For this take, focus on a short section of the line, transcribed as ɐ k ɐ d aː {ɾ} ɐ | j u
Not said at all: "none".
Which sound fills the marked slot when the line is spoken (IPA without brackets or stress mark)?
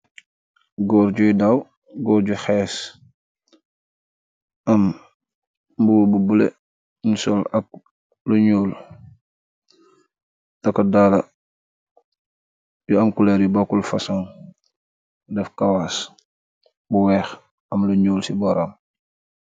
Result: l